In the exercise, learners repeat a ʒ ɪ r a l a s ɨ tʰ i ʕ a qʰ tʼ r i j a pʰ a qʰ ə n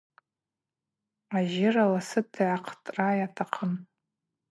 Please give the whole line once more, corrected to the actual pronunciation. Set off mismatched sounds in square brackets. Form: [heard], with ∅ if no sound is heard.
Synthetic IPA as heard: a ʒ ɪ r a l a s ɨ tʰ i ʕ a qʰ tʼ r [a] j a [tʰ] a qʰ ə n